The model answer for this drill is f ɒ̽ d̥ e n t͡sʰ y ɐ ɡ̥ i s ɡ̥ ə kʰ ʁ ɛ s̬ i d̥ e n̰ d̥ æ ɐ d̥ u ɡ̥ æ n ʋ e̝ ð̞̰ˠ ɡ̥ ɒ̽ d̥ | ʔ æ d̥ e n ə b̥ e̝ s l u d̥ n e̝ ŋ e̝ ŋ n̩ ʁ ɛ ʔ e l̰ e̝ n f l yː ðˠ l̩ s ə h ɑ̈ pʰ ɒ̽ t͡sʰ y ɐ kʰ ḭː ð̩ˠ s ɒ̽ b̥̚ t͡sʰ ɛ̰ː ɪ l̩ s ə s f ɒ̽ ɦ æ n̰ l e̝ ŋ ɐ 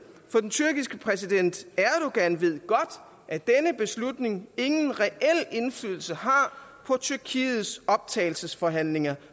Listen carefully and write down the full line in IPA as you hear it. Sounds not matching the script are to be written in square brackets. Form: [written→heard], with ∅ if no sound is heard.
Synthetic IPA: f ɒ̽ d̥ e n t͡sʰ y ɐ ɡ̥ i s ɡ̥ ə [kʰ→pʰ] ʁ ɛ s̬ i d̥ e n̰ d̥ æ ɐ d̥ u ɡ̥ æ n ʋ e̝ ð̞̰ˠ ɡ̥ ɒ̽ d̥ | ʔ æ d̥ e n ə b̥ e̝ s l u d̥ n e̝ ŋ e̝ ŋ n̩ ʁ ɛ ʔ e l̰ e̝ n f l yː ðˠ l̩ s ə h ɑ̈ pʰ ɒ̽ t͡sʰ y ɐ kʰ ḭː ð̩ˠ s ɒ̽ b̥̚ t͡sʰ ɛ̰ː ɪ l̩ s ə s f ɒ̽ ɦ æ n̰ l e̝ ŋ ɐ